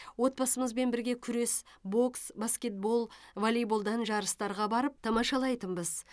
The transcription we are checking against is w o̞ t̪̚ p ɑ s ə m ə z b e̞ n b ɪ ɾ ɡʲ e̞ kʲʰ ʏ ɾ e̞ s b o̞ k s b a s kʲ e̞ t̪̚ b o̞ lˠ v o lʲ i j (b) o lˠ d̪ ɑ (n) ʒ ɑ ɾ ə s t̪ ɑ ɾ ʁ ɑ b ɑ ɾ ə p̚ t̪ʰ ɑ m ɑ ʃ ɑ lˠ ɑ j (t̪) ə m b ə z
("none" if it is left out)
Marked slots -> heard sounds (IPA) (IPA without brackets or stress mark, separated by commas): b, n, t̪